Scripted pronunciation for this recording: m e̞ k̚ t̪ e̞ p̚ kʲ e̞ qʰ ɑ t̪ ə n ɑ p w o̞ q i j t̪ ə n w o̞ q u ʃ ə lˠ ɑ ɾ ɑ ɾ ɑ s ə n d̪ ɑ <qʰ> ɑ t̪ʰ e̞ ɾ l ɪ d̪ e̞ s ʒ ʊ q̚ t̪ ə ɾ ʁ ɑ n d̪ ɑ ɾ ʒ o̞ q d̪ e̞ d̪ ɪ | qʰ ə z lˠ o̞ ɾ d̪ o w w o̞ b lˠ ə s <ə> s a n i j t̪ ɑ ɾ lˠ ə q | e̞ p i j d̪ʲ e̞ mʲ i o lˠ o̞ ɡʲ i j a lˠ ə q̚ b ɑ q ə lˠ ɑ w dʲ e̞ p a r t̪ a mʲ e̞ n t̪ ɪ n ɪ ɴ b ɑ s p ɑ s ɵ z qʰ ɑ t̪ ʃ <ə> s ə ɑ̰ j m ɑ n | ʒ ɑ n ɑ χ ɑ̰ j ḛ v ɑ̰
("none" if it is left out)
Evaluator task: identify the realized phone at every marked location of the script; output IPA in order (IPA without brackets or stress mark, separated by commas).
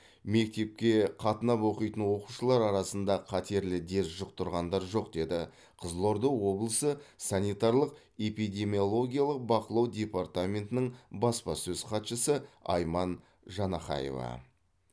qʰ, ə, ə